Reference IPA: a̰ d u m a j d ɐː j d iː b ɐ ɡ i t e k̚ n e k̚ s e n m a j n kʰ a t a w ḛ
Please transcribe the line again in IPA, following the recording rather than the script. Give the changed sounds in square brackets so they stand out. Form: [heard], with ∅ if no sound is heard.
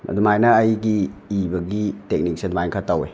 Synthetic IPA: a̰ d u m a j [n] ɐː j [ɡ] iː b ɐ ɡ i t e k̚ n [i] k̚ s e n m a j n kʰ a t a w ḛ